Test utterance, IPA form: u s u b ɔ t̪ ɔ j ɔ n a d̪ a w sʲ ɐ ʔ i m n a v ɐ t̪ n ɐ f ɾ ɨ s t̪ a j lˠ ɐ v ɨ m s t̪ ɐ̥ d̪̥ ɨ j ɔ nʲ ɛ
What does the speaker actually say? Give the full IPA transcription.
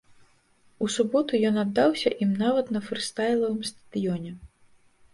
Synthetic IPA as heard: u s u b ɔ t̪ u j ɔ n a d̪ː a w sʲ ɐ ʔ i m n a v ɐ t̪ n ɐ f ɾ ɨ s t̪ a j lˠ ɐ v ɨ m s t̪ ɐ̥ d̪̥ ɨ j ɔ nʲ ɛ